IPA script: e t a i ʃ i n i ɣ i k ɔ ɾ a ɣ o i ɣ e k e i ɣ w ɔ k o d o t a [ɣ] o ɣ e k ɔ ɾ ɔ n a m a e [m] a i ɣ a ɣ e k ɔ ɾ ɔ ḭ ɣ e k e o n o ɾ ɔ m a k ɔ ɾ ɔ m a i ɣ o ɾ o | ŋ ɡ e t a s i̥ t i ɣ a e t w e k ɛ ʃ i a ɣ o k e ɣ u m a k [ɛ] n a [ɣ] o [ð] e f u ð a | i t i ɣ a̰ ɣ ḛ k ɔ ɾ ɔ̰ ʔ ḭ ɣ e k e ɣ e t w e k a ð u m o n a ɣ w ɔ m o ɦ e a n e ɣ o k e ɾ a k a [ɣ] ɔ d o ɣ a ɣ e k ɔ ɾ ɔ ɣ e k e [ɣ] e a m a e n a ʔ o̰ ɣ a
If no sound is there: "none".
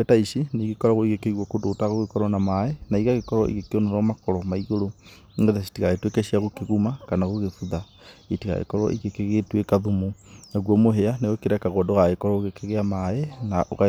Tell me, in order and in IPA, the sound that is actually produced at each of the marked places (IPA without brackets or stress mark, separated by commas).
ɣ, n, a, ɣ, ɣ, ɣ, ɣ